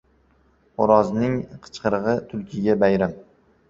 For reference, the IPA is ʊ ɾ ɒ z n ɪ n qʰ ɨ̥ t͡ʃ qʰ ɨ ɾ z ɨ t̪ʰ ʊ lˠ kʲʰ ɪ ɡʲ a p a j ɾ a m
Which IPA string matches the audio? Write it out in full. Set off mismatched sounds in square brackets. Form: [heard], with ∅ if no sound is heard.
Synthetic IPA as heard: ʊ ɾ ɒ z n ɪ [ŋ] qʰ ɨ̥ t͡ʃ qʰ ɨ ɾ [ʁ] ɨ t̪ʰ ʊ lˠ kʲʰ ɪ ɡʲ a [b] a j ɾ a m